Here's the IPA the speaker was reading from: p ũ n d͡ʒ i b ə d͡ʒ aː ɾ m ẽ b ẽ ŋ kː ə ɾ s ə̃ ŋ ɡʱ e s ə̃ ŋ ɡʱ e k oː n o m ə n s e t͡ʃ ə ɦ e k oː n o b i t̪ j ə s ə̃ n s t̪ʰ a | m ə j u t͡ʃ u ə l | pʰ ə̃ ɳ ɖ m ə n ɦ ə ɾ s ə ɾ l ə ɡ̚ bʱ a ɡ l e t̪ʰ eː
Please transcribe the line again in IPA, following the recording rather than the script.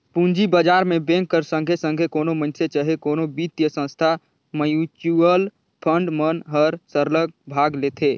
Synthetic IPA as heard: p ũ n d͡ʒ i b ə d͡ʒ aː ɾ m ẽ b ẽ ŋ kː ə ɾ s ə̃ ŋ ɡʱ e s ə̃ ŋ ɡʱ e k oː n o m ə n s e t͡ʃ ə ɦ e k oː n o b i t̪ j ə s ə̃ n s t̪ʰ a | m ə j u t͡ʃ u ə l | pʰ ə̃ ɳ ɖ m ə n ɦ ə ɾ s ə ɾ l ə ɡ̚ bʱ a ɡ l e t̪ʰ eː